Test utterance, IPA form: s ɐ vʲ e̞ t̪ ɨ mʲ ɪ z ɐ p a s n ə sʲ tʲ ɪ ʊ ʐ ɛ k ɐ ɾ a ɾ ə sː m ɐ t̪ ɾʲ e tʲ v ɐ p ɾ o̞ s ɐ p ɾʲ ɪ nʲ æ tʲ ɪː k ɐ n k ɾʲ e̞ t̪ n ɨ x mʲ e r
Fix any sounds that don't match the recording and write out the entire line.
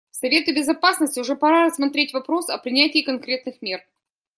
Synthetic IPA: s ɐ vʲ e̞ t̪ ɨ bʲ ɪ z ɐ p a s n ə sʲ tʲ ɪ ʊ ʐ ɛ p ɐ ɾ a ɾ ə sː m ɐ t̪ ɾʲ e tʲ v ɐ p ɾ o̞ s ɐ p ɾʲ ɪ nʲ æ tʲ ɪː k ɐ n k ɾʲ e̞ t̪ n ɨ x mʲ e r